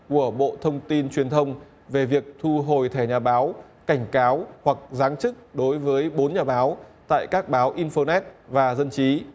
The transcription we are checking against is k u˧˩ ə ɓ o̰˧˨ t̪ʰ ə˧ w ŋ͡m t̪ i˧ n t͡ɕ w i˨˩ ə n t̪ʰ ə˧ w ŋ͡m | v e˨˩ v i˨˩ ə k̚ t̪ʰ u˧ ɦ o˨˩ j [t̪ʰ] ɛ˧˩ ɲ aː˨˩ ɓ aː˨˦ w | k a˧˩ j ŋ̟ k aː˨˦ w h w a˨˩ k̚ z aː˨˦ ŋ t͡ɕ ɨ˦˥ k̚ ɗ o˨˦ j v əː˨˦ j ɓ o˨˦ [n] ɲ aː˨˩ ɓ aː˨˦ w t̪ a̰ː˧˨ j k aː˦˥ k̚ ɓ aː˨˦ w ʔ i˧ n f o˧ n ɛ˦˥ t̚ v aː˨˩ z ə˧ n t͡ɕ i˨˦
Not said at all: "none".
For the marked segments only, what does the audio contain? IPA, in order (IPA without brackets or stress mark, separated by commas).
t̪ʰ, n